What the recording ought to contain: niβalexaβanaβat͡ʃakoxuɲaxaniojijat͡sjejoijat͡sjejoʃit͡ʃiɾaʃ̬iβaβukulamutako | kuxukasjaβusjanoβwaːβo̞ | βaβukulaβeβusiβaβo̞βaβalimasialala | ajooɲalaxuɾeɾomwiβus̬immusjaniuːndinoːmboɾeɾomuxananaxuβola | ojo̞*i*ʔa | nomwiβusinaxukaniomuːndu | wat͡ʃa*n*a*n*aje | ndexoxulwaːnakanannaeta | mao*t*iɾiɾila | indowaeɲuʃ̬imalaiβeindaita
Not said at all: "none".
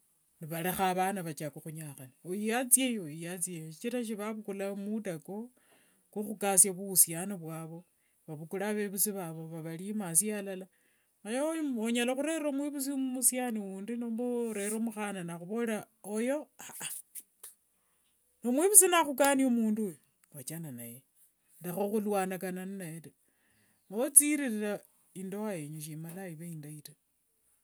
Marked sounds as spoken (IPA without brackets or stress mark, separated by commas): a, n, n, t͡s